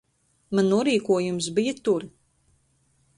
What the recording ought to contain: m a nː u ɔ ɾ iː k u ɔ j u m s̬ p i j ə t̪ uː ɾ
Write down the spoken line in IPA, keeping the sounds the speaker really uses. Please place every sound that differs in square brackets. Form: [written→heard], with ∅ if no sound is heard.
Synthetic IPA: m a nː u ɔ ɾ iː k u ɔ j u m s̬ [p→b] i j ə t̪ [uː→u] ɾ